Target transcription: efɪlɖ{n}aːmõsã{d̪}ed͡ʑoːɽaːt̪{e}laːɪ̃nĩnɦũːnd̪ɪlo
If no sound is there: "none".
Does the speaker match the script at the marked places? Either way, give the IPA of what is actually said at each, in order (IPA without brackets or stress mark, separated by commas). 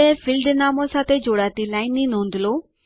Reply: n, t̪, i